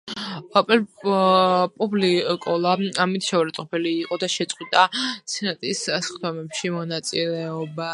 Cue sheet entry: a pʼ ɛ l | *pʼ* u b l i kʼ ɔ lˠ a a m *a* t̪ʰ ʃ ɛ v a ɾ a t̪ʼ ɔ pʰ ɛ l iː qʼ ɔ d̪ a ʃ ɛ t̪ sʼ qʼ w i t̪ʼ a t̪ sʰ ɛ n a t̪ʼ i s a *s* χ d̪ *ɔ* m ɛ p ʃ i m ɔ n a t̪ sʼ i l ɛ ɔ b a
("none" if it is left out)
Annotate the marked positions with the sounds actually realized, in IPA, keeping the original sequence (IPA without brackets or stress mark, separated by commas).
pʼ, i, s, ɔ